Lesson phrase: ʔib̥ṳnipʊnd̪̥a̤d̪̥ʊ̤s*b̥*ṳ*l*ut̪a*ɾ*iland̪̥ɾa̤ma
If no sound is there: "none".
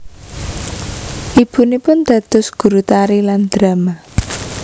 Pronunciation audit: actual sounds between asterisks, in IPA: ɡ̥, ɾ, ɾ

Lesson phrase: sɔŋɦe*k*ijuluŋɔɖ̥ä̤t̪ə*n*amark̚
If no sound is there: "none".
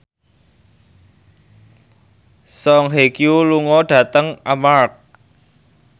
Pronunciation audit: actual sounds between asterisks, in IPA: k, ŋ

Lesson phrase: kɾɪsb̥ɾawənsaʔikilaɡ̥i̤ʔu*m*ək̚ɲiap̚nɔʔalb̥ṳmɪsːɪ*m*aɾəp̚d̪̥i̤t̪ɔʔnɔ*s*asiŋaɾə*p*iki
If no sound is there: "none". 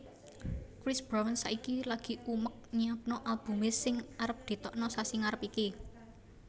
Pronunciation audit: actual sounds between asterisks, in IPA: m, ŋ, s, p

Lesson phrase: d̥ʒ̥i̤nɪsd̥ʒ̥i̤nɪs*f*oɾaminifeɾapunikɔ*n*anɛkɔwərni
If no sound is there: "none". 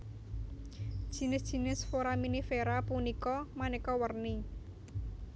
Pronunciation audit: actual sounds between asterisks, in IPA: f, m

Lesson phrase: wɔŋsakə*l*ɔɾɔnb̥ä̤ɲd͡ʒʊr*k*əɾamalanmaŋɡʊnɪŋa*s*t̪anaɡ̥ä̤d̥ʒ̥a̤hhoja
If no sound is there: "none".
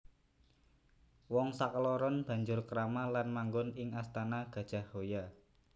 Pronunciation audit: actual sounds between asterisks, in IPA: l, k, s

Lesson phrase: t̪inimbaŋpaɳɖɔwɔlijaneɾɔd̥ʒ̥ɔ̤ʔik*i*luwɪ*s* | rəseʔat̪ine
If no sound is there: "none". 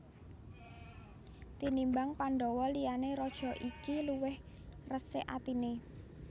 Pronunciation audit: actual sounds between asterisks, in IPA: i, h

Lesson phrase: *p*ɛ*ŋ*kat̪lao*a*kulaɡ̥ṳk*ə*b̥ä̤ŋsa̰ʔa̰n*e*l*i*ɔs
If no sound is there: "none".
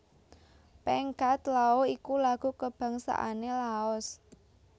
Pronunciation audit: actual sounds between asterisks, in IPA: p, ŋ, i, ə, e, a

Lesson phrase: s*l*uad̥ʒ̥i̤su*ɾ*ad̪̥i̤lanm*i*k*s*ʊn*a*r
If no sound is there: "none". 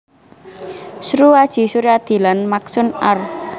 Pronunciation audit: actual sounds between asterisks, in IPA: ɾ, ɾ, a, s, a

